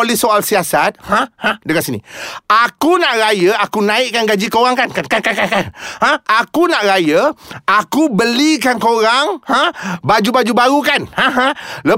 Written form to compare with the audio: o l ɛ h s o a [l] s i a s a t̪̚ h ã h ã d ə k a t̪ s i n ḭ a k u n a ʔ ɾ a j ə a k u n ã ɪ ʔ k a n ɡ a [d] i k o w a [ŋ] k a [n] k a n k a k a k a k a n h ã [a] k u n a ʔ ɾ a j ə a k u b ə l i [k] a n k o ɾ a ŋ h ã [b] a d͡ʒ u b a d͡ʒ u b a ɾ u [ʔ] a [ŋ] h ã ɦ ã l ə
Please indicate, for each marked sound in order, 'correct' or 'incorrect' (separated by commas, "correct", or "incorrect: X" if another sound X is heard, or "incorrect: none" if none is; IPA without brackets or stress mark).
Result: correct, incorrect: d͡ʒ, correct, correct, correct, correct, correct, incorrect: k, incorrect: n